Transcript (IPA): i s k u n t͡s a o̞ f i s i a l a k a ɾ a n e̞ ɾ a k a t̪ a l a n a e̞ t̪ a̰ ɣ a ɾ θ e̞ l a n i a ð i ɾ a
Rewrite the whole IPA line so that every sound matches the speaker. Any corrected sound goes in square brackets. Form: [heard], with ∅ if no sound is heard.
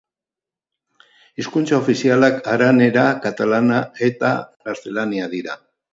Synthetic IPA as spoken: i s k u n t͡s a o̞ f i s i a l a k a ɾ a n e̞ ɾ a k a t̪ a l a n a e̞ t̪ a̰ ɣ a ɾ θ e̞ l a n i a ð i ɾ a